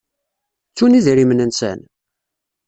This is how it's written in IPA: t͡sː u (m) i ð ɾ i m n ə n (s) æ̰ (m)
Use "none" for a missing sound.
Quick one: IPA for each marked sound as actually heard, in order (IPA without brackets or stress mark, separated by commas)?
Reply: n, s, n